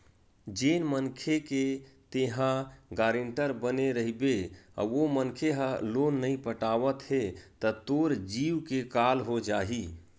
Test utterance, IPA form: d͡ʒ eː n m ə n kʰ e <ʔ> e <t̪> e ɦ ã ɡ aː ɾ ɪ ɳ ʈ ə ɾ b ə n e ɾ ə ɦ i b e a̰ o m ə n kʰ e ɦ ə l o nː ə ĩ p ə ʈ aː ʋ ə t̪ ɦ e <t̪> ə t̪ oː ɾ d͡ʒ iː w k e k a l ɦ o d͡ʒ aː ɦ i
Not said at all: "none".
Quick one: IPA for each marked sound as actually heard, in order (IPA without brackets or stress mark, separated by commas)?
k, t̪, t̪